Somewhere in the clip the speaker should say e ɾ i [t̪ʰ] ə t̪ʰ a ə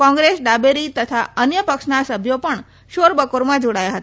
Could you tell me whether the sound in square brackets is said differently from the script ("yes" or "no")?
yes